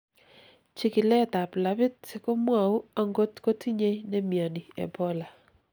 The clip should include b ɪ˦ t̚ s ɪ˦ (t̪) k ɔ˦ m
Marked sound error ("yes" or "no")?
yes